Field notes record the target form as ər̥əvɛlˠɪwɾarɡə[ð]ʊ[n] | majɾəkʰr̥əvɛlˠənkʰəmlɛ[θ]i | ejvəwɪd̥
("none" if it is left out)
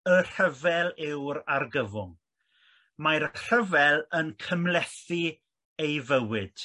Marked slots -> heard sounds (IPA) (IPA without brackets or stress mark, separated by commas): v, ŋ, θ